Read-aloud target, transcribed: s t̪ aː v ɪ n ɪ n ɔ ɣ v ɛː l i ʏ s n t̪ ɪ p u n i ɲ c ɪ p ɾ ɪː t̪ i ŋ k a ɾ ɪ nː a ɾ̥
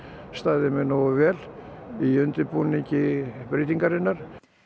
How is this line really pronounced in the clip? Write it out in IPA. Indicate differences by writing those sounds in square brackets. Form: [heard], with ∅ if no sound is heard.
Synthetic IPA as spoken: s t̪ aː [ð] ɪ [m] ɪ n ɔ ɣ v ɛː l i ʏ [∅] n t̪ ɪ p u n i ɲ c ɪ p ɾ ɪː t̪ i ŋ k a ɾ ɪ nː a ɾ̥